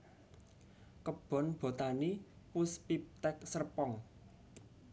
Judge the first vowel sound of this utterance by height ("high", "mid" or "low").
mid